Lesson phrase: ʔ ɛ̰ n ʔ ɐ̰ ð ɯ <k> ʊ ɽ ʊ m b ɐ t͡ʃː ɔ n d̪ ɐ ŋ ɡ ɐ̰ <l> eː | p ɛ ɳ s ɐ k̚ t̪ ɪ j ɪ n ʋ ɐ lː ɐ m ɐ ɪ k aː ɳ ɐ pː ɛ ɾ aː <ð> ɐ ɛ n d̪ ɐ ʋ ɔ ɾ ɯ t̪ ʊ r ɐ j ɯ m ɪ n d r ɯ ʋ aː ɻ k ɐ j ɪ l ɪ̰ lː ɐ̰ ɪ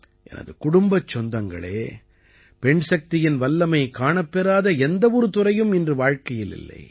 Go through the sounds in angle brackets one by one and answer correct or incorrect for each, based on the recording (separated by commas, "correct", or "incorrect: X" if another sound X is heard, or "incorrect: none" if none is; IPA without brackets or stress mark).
correct, incorrect: ɭ, correct